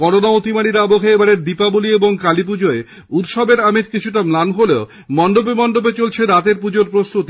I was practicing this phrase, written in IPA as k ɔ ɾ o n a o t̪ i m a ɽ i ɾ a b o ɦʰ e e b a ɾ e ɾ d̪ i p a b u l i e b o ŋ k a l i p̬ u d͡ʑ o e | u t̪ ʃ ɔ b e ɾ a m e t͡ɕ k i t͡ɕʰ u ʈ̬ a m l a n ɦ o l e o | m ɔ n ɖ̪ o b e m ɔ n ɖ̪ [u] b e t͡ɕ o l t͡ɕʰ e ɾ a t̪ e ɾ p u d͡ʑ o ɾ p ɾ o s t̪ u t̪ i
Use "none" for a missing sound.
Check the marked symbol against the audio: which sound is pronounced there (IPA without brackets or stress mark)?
o